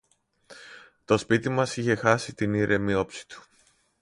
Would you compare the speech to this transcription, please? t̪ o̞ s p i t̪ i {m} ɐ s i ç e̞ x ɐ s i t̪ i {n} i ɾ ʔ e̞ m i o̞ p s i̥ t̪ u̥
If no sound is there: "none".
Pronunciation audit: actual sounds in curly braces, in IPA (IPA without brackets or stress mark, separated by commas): m, n